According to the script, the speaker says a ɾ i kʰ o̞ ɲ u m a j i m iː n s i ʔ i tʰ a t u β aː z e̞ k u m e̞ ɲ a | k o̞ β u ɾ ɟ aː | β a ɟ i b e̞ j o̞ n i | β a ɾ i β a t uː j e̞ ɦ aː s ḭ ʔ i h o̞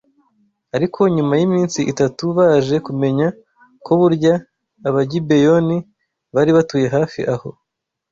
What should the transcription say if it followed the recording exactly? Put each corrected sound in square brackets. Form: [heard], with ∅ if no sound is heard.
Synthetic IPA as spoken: a ɾ i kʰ o̞ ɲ u m a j i m iː n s i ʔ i [t] a t u β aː [ʒ] e̞ k u m e̞ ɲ a | k o̞ β u ɾ ɟ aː | β a ɟ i b e̞ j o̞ n i | β a ɾ i β a t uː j e̞ ɦ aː [f] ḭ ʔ [a] h o̞